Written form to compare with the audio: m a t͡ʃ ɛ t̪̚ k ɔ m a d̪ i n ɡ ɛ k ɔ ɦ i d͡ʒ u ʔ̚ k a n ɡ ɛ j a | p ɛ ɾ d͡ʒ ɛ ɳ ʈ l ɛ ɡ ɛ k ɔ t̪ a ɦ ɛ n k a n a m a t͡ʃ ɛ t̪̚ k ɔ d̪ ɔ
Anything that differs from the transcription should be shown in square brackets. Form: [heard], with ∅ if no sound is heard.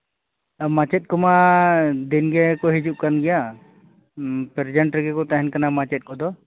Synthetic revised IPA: m a t͡ʃ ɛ t̪̚ k ɔ m a d̪ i n ɡ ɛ k ɔ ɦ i d͡ʒ u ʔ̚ k a n ɡ ɛ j a | p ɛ ɾ d͡ʒ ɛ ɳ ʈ [ɾ] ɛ ɡ ɛ k ɔ t̪ a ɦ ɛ n k a n a m a t͡ʃ ɛ t̪̚ k ɔ d̪ ɔ